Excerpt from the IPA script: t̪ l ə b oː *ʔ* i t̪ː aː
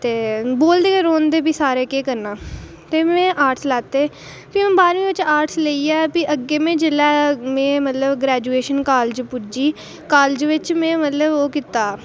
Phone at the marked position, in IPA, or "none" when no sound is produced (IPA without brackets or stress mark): k